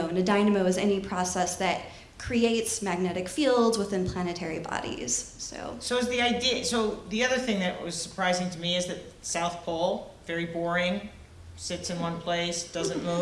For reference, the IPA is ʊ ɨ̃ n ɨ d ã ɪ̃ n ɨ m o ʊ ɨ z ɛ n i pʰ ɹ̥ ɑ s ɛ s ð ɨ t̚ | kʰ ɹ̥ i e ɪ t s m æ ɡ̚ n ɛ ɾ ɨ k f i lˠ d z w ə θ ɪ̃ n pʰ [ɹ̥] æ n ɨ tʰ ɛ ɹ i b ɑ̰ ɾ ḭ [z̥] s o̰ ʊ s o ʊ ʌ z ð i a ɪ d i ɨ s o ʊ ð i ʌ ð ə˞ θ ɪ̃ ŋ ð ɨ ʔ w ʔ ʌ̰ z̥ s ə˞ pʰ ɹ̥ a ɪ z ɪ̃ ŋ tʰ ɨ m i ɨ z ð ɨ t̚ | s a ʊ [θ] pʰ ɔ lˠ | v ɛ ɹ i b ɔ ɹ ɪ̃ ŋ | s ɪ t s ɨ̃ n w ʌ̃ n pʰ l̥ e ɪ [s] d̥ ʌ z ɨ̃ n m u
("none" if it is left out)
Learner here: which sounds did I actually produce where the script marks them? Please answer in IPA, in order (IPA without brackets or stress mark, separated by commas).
l̥, z̥, θ, s